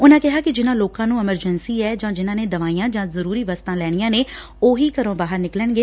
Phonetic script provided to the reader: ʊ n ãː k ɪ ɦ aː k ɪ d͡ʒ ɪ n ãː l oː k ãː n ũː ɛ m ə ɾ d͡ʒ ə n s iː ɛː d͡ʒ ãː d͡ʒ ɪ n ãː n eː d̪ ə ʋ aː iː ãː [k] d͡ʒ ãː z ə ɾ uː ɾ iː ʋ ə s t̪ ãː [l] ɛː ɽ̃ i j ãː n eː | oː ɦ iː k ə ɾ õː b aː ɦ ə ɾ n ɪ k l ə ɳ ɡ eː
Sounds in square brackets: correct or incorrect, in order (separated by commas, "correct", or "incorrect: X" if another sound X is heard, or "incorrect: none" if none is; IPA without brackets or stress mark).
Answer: incorrect: none, correct